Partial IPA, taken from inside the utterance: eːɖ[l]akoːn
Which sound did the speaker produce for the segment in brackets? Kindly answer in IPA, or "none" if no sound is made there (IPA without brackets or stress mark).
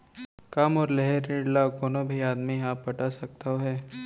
l